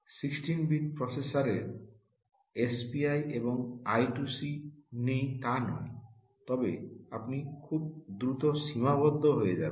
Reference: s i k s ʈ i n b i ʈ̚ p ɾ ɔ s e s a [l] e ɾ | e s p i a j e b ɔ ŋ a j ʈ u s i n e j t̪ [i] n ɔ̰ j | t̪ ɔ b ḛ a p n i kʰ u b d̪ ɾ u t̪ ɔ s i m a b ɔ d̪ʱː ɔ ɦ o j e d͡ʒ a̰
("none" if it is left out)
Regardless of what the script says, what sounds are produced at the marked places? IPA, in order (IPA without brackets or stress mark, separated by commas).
ɾ, a